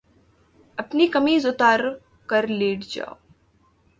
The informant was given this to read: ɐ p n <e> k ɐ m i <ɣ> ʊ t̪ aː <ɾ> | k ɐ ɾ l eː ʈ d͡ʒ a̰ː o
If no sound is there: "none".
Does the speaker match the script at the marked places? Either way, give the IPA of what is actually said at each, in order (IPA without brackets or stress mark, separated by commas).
i, z, ɾ